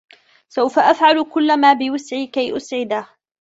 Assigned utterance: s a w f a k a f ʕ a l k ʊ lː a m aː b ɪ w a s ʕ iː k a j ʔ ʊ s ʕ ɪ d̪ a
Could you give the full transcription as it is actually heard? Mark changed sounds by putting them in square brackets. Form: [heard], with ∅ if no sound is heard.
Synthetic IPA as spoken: s a w f a [ʔ] a f ʕ a l k ʊ lː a m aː b ɪ w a s ʕ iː k a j ʔ ʊ s ʕ ɪ d̪ a